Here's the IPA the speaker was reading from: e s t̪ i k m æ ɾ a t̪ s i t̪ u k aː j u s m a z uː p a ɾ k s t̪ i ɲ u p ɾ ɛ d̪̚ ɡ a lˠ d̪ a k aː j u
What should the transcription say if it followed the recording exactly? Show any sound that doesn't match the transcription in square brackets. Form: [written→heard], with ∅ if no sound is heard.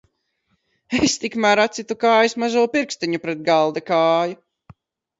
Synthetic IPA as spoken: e s t̪ i k m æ ɾ a t̪ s i t̪ u k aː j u s m a z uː p [a→i] ɾ k s t̪ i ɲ u p ɾ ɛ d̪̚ ɡ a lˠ d̪ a k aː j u